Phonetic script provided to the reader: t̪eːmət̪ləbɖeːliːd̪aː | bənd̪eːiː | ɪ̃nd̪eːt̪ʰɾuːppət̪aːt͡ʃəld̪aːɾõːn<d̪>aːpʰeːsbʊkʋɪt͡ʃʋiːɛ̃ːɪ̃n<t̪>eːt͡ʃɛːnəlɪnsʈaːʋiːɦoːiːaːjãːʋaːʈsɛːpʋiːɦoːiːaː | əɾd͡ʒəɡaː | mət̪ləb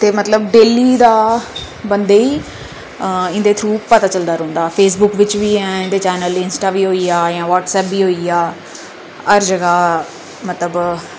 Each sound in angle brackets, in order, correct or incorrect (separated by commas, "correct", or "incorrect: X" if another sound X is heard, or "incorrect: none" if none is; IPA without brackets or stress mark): correct, incorrect: d̪